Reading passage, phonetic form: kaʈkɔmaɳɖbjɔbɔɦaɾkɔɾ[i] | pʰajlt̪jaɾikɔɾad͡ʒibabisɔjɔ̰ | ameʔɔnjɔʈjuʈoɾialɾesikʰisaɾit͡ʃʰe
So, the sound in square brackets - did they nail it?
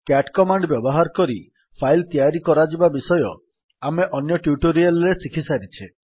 yes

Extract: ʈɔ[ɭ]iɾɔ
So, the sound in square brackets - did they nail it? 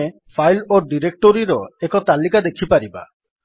no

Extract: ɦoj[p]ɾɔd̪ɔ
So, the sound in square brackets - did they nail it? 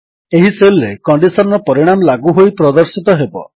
yes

